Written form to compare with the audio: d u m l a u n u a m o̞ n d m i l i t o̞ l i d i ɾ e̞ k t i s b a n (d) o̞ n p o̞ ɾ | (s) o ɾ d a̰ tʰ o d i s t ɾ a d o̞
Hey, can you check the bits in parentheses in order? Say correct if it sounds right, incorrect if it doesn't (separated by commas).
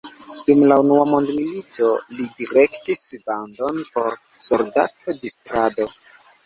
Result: correct, correct